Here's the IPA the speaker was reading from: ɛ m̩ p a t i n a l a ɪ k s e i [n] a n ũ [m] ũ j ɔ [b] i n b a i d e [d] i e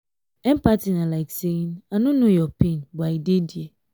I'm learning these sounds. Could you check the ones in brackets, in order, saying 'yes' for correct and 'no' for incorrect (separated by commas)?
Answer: yes, no, no, yes